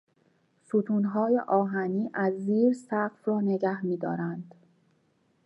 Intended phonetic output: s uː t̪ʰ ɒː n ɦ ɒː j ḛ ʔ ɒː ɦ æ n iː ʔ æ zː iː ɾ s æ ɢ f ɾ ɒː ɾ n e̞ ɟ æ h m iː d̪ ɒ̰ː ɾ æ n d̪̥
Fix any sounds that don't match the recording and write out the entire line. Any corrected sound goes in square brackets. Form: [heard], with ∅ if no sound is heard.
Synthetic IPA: s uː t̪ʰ [uː] n ɦ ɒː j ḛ ʔ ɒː ɦ æ n iː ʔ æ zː iː ɾ s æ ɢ f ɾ ɒː [∅] n e̞ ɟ æ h m iː d̪ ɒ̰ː ɾ æ n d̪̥